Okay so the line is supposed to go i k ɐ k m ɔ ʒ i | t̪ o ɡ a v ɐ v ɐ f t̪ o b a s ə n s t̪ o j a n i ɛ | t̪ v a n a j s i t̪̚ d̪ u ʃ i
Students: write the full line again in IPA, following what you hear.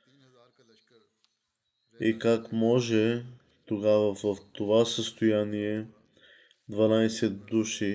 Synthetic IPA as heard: i k a k m ɔ ʒ ɛ | t̪ o ɡ a v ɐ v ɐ f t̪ o v a s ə s t̪ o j a n i ɛ | d̪ v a n a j s ɛ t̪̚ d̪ u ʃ i